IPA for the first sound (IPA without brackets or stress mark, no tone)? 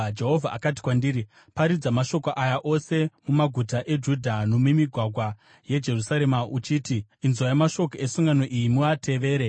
d͡ʒ